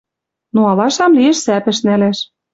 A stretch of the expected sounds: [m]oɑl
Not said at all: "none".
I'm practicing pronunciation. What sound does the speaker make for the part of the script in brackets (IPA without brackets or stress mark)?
n